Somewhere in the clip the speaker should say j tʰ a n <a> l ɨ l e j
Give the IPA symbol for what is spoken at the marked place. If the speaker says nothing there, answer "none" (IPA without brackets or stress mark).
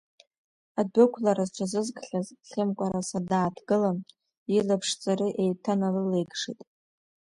a